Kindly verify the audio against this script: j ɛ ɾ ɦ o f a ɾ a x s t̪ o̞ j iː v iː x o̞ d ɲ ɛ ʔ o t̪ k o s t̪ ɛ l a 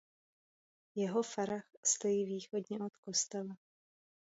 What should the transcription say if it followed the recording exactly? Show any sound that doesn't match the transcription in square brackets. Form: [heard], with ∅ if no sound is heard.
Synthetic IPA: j ɛ [∅] ɦ o f a ɾ a x s t̪ o̞ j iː v iː x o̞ d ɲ ɛ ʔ o t̪ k o s t̪ ɛ l a

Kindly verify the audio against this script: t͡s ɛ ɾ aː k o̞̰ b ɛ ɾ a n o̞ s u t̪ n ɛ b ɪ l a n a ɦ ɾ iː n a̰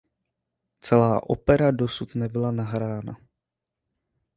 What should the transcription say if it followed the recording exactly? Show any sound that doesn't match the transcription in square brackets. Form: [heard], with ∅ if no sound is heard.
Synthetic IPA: t͡s ɛ [l] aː [ʔ] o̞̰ [p] ɛ ɾ a [d] o̞ s u t̪ n ɛ b ɪ l a n a ɦ ɾ [aː] n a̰

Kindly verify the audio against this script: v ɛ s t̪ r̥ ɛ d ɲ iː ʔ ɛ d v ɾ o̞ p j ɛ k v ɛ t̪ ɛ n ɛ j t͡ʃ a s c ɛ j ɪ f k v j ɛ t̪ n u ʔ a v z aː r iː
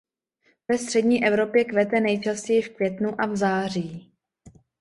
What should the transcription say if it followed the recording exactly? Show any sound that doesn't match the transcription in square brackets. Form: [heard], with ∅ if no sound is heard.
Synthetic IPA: v ɛ s t̪ r̥ ɛ d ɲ iː ʔ ɛ [∅] v ɾ o̞ p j ɛ k v ɛ t̪ ɛ n ɛ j t͡ʃ a s c ɛ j ɪ f k v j ɛ t̪ n u ʔ a v z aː r iː

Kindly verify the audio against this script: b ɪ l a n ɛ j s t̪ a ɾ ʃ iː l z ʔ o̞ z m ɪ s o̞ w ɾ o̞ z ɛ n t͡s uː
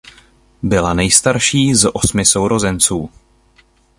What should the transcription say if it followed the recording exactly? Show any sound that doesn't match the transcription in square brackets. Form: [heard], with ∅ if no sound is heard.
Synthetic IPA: b ɪ l a n ɛ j s t̪ a ɾ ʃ iː [∅] z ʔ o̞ [s] m ɪ s o̞ w ɾ o̞ z ɛ n t͡s uː

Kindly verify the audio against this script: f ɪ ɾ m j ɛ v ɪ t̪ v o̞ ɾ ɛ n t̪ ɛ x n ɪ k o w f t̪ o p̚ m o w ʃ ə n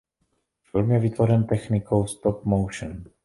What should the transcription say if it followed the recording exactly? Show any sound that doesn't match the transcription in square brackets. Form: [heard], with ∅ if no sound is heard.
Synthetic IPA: f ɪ [l] m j ɛ v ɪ t̪ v o̞ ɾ ɛ n t̪ ɛ x n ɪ k o w [s] t̪ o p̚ m o w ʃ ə n

